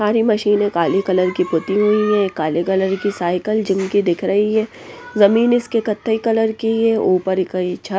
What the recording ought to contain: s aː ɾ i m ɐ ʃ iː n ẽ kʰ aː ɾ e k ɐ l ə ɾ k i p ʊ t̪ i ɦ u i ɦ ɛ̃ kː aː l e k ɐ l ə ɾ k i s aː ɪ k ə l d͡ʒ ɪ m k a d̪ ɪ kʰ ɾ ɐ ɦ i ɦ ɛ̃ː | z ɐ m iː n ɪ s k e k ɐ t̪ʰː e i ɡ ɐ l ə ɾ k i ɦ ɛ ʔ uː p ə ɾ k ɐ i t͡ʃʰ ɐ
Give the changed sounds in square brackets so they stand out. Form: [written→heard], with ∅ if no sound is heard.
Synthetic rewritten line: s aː ɾ i m ɐ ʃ iː n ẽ [kʰ→k] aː [ɾ→l] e k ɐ l ə ɾ k i p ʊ t̪ i ɦ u i ɦ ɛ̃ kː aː l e k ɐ l ə ɾ k i s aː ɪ k ə l d͡ʒ ɪ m k [a→i] d̪ ɪ kʰ ɾ ɐ ɦ i ɦ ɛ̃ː | z ɐ m iː n ɪ s k e k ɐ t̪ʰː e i [ɡ→k] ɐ l ə ɾ k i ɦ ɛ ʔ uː p ə ɾ k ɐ i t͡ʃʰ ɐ